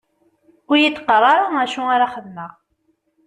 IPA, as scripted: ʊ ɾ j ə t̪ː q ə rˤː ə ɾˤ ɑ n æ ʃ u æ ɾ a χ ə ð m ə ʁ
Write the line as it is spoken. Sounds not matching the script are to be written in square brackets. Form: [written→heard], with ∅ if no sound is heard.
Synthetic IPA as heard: ʊ ɾ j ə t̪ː q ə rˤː [ə→ɑ] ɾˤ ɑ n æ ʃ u [æ→a] ɾ a χ ə ð m ə ʁ